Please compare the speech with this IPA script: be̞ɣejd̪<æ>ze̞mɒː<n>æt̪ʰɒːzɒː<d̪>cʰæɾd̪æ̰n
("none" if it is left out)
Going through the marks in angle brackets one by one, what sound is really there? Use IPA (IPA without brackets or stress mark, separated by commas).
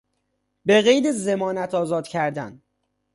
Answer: e, n, d̪